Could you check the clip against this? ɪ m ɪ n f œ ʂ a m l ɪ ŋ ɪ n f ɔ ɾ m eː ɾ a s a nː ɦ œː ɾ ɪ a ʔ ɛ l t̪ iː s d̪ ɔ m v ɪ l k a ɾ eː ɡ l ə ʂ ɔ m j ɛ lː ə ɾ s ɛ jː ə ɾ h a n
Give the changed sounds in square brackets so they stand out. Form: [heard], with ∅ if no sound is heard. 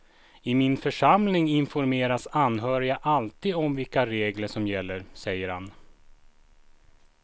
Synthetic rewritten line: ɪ m ɪ n f œ ʂ a m l ɪ ŋ ɪ n f ɔ ɾ m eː ɾ a s a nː ɦ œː ɾ ɪ a ʔ [a] l t̪ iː [∅] d̪ ɔ m v ɪ l k a ɾ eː ɡ l ə ʂ ɔ m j ɛ lː ə ɾ s ɛ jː ə ɾ h a n